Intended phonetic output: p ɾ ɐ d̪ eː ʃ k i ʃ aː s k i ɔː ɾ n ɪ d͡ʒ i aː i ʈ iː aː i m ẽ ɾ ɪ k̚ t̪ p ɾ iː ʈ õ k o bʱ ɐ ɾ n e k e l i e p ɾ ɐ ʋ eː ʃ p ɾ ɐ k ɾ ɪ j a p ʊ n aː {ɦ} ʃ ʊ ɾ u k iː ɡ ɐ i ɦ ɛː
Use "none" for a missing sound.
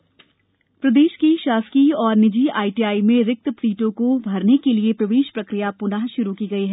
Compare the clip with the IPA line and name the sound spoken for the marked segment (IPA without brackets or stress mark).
ɦ